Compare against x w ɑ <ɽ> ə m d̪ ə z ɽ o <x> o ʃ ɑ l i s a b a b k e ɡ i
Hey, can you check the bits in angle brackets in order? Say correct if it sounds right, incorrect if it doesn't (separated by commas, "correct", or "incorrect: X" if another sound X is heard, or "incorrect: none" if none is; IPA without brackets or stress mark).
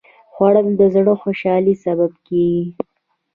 correct, correct